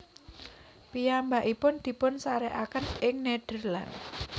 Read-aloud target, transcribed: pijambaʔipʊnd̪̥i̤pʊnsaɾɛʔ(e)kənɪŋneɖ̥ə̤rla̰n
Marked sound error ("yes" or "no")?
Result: yes